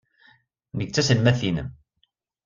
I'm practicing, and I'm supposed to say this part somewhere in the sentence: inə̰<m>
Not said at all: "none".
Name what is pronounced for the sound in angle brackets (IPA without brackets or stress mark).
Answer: m